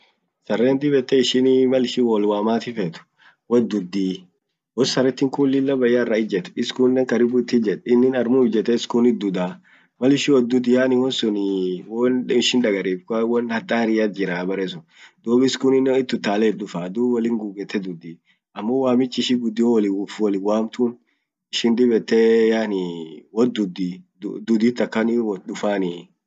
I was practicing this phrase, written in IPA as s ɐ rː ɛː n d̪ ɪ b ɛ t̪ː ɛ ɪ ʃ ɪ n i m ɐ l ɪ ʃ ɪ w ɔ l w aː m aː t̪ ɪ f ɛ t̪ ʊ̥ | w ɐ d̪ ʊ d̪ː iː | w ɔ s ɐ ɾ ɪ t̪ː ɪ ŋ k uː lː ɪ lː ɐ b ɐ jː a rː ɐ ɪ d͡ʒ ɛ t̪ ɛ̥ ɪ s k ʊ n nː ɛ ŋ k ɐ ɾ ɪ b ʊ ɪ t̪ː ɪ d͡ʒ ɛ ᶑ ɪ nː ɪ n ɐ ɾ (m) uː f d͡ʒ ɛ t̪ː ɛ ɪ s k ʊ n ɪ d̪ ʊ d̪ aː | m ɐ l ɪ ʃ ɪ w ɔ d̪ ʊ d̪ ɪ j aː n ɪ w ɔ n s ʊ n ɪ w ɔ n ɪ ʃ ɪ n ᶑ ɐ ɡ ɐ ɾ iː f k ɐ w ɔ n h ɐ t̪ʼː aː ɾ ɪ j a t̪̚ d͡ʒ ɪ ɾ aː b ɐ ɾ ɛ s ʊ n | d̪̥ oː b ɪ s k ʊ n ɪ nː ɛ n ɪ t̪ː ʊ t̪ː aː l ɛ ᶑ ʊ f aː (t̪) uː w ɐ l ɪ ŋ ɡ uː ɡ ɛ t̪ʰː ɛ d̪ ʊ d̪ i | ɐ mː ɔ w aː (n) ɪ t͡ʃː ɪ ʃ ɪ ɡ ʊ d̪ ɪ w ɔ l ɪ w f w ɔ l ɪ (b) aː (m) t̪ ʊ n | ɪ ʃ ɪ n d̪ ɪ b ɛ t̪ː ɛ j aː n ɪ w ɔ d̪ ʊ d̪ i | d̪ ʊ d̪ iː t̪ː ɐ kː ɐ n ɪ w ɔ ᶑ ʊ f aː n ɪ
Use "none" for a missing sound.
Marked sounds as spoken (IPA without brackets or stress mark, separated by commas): m, d̪, m, w, m